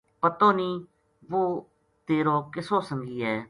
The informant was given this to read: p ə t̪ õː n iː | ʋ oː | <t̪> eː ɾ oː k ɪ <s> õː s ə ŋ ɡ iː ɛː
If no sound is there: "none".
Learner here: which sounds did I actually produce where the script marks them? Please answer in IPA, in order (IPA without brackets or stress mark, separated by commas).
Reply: t̪, s